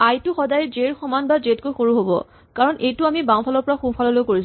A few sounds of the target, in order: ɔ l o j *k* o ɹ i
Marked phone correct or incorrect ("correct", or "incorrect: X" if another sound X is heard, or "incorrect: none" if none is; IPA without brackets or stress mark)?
correct